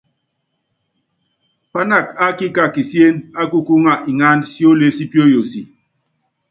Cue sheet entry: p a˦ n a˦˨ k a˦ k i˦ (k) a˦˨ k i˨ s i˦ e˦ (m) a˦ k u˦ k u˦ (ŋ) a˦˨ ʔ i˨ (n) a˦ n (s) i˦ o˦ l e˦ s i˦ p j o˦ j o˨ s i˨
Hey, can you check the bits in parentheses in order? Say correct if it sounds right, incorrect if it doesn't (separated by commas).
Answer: correct, incorrect, correct, incorrect, correct